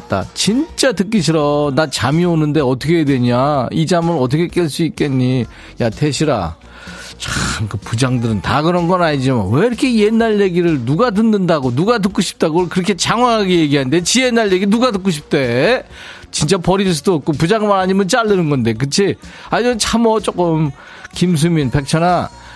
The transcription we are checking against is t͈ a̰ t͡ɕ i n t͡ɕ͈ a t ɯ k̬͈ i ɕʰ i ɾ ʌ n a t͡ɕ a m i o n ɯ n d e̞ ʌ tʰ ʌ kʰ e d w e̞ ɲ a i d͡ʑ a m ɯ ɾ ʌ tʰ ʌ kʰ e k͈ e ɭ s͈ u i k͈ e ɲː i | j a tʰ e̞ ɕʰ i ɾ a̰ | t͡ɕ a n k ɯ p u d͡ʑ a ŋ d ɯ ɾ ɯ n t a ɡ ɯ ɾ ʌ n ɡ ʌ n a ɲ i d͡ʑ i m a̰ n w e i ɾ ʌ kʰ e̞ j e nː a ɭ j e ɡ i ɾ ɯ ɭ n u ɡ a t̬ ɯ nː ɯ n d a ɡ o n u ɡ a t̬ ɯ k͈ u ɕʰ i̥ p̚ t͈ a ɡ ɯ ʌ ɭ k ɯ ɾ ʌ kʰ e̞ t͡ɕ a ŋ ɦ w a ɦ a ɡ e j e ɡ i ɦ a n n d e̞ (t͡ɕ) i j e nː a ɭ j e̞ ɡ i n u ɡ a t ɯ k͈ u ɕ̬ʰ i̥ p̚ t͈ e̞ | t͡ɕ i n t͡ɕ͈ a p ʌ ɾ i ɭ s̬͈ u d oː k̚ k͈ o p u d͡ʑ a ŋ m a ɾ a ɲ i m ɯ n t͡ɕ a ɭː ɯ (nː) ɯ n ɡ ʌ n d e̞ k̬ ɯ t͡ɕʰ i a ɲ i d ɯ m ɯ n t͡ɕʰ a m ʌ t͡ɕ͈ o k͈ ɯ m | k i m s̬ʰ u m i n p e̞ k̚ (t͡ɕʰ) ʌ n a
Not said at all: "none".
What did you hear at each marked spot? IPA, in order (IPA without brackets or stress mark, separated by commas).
t͡ɕ, n, t͡ɕʰ